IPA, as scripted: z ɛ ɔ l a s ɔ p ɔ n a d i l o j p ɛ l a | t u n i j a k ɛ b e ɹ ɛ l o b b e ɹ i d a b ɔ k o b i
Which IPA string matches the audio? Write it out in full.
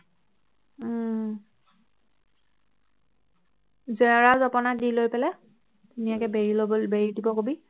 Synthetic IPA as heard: z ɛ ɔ ɹ a z ɔ p ɔ n a d i l o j p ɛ l ɛ | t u n i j a k ɛ b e ɹ i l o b b e ɹ i d i b ɔ k o b i